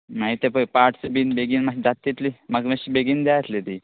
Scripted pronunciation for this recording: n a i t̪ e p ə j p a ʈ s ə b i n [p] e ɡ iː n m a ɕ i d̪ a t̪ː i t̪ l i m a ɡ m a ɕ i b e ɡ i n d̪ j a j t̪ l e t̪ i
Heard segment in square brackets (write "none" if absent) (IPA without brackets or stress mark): b